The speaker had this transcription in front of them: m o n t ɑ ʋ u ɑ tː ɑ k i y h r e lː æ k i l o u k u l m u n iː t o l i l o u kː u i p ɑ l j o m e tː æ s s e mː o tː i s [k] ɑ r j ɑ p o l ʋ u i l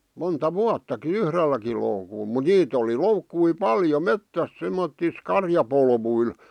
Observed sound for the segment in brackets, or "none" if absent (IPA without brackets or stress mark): k